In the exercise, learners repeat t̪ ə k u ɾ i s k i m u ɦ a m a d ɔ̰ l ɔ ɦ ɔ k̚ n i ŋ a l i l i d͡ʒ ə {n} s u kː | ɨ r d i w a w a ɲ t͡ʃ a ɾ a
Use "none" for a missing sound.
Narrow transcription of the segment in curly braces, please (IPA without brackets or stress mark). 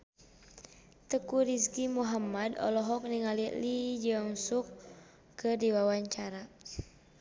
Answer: ŋ